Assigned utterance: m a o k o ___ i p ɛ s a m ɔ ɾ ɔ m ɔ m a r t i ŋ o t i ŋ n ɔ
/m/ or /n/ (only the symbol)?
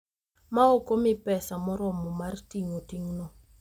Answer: m